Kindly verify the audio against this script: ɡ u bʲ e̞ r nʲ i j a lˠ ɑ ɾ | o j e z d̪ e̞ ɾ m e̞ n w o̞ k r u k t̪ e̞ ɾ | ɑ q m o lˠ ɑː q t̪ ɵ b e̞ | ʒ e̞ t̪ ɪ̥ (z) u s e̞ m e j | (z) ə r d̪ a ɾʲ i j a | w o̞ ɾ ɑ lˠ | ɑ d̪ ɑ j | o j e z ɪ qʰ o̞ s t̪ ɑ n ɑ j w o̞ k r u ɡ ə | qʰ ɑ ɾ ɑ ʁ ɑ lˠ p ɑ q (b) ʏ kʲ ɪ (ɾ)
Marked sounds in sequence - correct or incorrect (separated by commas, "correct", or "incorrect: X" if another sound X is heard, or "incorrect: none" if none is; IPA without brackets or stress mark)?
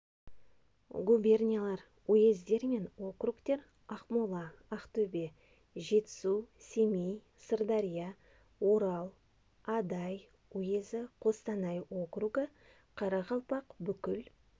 incorrect: s, incorrect: s, correct, incorrect: l